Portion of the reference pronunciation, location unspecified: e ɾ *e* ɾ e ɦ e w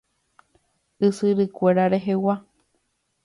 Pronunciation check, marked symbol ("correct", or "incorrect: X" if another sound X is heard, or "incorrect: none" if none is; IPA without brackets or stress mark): incorrect: a